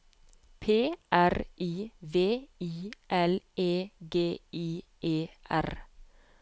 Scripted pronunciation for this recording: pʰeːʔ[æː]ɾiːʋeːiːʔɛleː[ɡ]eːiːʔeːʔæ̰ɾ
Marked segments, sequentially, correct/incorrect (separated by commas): incorrect, correct